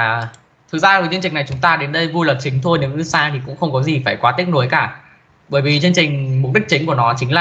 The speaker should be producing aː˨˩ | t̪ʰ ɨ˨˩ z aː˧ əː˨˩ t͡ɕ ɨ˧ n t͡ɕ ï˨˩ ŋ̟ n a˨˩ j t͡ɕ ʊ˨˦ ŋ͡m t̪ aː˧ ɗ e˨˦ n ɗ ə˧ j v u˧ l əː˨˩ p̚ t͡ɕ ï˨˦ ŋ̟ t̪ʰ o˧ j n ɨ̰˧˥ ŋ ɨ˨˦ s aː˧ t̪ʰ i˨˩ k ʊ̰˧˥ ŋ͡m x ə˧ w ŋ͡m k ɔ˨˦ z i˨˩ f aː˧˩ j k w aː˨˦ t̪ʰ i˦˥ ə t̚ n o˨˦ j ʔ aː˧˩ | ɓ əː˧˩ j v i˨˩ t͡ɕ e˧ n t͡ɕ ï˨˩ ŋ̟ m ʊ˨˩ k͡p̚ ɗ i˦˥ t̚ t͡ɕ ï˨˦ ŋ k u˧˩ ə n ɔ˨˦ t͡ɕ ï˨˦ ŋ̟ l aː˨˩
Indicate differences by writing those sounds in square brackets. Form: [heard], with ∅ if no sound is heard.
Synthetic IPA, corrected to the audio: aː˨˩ | t̪ʰ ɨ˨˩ z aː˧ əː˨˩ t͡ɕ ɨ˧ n t͡ɕ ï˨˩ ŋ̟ n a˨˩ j t͡ɕ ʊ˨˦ ŋ͡m t̪ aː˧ ɗ e˨˦ n ɗ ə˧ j v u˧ l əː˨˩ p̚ t͡ɕ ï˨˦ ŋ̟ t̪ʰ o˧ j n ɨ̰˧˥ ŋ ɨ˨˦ s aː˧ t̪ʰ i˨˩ k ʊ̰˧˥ ŋ͡m x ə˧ w ŋ͡m k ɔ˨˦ z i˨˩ f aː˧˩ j k w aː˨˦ [t̪] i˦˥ ə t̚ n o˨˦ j [k] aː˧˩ | ɓ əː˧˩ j v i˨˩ t͡ɕ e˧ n t͡ɕ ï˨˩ ŋ̟ m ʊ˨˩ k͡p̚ ɗ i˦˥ [k̚] t͡ɕ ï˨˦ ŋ k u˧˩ ə n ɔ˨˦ t͡ɕ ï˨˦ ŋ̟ l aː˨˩